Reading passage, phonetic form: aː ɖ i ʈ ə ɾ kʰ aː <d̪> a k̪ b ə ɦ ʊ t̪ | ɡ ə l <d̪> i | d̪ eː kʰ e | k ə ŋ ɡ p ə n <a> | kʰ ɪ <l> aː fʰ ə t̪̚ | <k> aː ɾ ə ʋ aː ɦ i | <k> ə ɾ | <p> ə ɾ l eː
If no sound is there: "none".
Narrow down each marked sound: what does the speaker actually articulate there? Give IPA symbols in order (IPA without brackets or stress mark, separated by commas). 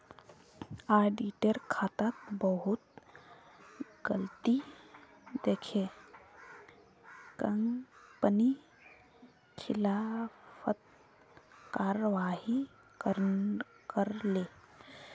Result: t̪, t̪, i, l, k, k, k